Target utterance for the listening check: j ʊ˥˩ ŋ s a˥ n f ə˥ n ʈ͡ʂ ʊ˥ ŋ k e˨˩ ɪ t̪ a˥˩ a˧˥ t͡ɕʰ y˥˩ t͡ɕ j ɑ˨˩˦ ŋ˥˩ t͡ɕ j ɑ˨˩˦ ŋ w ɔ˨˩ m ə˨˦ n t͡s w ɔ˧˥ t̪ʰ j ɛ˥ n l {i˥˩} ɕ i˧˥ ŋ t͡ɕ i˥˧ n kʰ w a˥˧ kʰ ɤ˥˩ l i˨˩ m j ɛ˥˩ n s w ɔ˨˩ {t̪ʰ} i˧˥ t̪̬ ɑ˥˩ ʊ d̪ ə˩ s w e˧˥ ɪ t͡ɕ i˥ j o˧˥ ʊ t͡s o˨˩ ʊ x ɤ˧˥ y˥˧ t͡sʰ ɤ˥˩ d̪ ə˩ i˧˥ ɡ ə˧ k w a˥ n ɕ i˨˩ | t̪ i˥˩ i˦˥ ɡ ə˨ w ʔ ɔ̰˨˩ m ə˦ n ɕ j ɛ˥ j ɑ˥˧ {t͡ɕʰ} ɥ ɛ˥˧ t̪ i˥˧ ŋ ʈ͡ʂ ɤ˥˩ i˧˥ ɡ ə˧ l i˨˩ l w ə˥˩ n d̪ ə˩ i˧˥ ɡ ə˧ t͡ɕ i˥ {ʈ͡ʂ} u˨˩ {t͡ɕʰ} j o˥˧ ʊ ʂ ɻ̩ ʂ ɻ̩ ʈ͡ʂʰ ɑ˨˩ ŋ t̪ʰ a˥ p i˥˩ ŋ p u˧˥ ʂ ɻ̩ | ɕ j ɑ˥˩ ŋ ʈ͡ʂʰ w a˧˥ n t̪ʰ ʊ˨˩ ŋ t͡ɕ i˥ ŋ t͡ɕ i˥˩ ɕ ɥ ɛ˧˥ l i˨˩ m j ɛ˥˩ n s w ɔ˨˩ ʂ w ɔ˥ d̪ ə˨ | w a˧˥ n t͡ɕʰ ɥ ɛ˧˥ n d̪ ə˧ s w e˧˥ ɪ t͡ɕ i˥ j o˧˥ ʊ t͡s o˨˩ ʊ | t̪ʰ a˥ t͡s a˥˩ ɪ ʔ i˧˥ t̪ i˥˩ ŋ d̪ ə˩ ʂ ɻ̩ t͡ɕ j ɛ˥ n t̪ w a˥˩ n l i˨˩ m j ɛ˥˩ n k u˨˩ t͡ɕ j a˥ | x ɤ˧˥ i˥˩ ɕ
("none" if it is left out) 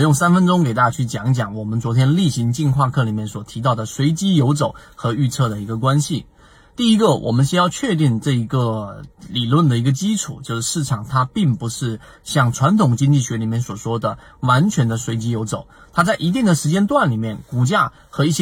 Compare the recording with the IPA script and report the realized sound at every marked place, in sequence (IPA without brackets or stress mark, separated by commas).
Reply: i˥˩, t̪ʰ, t͡ɕʰ, ʈ͡ʂʰ, t͡ɕ